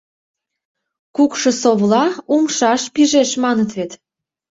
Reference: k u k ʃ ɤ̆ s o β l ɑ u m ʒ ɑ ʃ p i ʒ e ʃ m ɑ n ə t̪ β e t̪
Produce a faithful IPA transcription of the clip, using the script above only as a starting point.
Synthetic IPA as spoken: k u k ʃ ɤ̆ s o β l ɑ u m ʃ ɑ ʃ p i ʒ e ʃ m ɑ n ə t̪ β e t̪

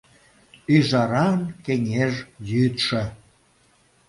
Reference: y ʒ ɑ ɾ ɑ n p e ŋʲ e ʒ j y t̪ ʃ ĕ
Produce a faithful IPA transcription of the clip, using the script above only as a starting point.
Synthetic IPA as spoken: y ʒ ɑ ɾ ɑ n k e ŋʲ e ʒ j y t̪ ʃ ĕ

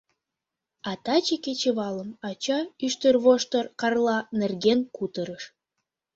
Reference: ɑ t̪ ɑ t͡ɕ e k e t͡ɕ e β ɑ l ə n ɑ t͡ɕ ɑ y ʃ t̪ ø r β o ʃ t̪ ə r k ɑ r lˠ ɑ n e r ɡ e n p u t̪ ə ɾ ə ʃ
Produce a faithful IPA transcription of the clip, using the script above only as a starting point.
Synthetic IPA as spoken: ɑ t̪ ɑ t͡ɕ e k e t͡ɕ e β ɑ l ə m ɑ t͡ɕ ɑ y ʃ t̪ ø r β o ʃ t̪ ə r k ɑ r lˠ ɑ n e r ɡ e n k u t̪ ə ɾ ə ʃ

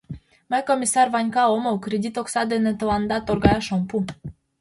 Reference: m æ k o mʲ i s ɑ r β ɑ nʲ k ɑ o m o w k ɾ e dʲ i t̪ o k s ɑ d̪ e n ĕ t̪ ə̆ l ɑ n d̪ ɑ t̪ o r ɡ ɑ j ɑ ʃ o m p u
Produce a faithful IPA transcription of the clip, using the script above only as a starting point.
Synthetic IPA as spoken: m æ k o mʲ i s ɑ r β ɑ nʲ k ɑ o m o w k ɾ e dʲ i t̪ o k s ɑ d̪ e n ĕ t̪ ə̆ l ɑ n d̪ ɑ t̪ o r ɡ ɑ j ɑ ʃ o m p u

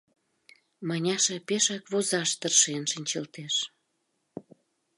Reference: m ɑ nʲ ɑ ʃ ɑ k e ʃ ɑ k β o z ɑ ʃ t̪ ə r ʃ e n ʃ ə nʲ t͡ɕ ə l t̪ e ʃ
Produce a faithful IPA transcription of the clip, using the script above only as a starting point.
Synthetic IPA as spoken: m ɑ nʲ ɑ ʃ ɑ p e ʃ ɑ k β o z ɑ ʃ t̪ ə r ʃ e n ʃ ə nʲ t͡ɕ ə l t̪ e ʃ

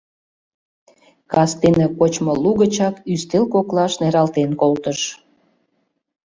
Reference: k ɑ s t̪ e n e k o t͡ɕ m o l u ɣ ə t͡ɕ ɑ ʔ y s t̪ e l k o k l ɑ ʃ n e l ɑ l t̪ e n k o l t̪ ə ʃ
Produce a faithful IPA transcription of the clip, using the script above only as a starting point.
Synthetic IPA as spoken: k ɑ s t̪ e n e k o t͡ɕ m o l u ɣ ə t͡ɕ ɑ k y s t̪ e l k o k l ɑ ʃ n e ɾ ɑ l t̪ e n k o l t̪ ə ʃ

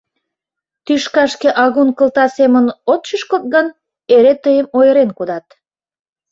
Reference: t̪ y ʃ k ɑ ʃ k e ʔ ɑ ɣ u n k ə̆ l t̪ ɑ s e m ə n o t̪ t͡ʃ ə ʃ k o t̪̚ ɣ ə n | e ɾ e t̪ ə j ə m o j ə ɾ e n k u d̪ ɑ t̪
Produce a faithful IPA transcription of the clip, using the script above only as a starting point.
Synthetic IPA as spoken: t̪ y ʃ k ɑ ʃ k e ʔ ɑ ɣ u n k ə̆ l t̪ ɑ s e m ə n o t̪ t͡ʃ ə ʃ k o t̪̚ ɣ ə n | e ɾ e t̪ ə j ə m o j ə ɾ e n k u d̪ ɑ t̪

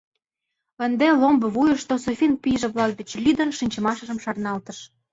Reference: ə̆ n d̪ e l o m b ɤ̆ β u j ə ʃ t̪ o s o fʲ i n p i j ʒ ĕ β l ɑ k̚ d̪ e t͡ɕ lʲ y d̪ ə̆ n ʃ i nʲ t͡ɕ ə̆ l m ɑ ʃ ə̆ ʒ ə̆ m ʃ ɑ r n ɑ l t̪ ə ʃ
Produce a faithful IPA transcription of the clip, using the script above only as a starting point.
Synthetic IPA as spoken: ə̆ n d̪ e l o m b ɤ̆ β u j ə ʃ t̪ o s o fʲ i n p i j ʒ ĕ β l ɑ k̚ d̪ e t͡ɕ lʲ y d̪ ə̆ n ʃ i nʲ t͡ɕ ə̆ m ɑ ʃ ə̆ ʒ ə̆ m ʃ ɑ r n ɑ l t̪ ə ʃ

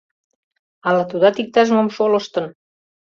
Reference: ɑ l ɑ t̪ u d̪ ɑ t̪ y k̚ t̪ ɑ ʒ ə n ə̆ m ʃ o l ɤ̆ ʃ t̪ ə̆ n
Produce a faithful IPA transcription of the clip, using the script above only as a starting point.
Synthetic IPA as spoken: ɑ l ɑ t̪ u d̪ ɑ t̪ i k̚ t̪ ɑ ʒ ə m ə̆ m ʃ o l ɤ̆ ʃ t̪ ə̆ n

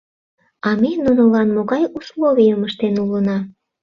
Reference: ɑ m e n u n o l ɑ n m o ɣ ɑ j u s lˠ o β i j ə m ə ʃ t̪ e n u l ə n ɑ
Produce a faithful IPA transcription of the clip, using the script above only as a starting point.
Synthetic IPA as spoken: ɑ m e n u n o l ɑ n m o ɣ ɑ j u s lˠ o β i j ə m ə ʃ t̪ e n u l ə n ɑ

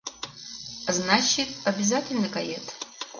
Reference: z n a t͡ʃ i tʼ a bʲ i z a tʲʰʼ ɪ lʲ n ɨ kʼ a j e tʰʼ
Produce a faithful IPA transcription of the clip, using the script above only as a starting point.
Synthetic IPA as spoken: z n a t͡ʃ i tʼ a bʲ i z a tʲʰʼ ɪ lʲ n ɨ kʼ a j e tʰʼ

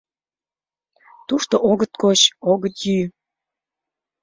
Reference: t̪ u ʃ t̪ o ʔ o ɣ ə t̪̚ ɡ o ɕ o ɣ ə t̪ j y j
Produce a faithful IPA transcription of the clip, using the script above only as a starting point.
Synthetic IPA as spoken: t̪ u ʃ t̪ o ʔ o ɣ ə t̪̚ k o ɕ o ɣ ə t̪ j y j

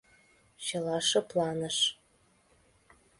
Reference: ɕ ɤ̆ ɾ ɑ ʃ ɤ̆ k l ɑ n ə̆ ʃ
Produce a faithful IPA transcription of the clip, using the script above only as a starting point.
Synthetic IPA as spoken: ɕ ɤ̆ l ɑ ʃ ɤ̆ p l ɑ n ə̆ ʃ

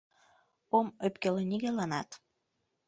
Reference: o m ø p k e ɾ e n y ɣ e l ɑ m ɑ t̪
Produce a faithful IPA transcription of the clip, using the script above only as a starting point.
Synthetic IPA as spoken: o m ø p k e l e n i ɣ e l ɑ n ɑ t̪

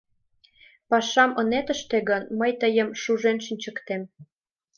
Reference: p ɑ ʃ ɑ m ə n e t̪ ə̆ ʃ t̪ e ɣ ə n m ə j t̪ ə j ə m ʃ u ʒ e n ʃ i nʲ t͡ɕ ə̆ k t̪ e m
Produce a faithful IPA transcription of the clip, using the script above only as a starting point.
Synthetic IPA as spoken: p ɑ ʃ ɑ m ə n e t̪ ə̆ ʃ t̪ e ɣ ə n m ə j t̪ ə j ə m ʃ u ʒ e n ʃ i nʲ t͡ɕ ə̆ k t̪ e m

